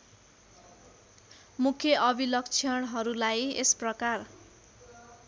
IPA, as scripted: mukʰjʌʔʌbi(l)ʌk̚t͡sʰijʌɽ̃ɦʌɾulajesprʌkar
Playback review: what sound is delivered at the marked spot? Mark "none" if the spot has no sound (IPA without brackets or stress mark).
l